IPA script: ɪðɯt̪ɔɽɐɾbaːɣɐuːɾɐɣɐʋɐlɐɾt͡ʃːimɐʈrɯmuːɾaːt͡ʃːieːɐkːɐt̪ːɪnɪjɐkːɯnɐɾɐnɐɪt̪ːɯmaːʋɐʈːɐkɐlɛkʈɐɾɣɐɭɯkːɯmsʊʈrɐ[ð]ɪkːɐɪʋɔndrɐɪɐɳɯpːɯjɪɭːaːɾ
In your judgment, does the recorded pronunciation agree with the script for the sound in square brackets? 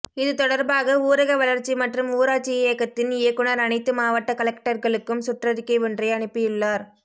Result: yes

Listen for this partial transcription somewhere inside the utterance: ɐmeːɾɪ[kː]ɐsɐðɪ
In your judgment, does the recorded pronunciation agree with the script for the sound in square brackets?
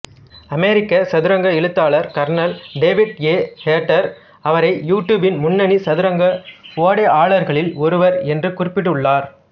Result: yes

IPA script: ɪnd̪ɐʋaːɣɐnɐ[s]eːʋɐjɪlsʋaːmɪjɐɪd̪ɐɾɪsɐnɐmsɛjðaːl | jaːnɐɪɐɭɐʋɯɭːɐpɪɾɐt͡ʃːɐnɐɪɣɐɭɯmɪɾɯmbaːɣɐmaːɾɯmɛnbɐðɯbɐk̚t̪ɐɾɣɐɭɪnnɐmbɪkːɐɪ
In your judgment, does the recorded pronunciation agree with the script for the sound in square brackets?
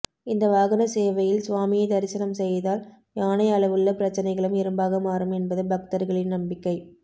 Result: yes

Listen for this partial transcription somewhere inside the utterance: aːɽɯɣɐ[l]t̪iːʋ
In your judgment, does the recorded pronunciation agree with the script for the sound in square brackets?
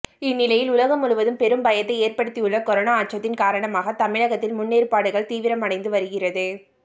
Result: no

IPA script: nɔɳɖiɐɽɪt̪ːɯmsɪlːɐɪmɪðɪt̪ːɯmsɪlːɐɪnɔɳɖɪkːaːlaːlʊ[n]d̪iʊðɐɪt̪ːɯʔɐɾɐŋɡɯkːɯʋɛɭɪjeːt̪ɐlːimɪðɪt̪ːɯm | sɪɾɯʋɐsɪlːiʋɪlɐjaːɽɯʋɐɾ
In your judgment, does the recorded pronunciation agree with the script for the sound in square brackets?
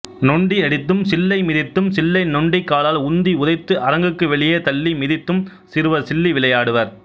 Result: yes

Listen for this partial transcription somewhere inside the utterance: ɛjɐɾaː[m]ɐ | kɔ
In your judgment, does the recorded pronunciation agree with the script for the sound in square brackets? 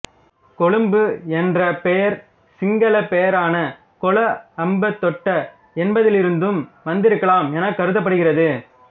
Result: no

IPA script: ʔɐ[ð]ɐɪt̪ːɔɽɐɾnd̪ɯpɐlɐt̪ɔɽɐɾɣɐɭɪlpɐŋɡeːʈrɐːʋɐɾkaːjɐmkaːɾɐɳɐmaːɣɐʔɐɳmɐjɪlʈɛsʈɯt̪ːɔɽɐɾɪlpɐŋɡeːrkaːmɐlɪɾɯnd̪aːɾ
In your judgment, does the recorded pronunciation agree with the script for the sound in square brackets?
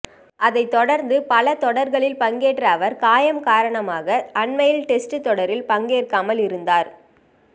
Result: yes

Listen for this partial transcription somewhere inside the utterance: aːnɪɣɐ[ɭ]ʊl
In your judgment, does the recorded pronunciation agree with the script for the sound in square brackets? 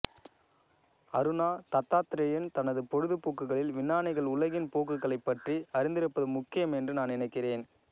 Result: yes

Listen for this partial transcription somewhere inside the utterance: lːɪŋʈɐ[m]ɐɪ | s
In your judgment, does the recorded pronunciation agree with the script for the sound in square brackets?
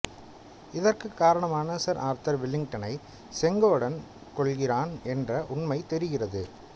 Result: no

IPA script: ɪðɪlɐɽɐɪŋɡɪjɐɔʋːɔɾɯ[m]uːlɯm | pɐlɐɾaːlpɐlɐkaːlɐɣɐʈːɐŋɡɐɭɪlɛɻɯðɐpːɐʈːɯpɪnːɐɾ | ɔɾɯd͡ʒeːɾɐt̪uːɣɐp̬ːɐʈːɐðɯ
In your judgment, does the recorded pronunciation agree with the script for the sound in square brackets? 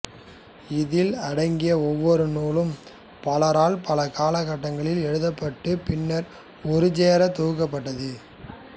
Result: no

